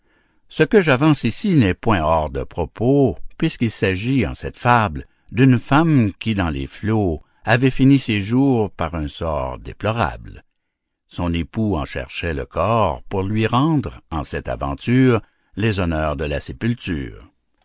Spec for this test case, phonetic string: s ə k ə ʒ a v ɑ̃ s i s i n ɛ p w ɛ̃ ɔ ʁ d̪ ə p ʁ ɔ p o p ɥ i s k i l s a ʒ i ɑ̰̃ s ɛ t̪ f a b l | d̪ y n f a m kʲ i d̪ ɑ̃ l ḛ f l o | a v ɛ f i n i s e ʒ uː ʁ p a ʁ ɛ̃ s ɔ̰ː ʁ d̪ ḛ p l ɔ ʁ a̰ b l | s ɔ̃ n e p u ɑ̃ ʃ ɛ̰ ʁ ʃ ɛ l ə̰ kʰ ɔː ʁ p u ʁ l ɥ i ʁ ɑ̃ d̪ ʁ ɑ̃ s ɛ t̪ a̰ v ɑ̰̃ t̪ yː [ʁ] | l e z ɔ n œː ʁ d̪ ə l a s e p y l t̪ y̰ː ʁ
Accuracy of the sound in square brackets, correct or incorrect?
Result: correct